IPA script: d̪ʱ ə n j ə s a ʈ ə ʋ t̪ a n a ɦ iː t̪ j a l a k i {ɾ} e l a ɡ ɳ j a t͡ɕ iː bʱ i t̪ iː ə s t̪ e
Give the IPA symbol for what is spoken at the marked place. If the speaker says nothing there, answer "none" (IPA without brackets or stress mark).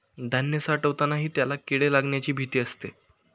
ɽ